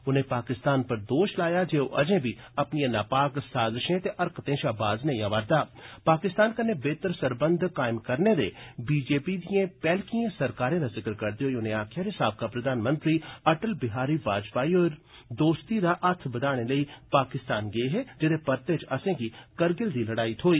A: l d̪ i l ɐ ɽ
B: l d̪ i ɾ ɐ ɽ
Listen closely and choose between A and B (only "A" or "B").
A